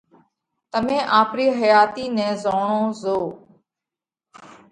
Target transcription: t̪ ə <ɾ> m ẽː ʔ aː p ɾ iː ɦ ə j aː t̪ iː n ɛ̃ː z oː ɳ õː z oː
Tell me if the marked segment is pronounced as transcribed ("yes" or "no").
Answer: no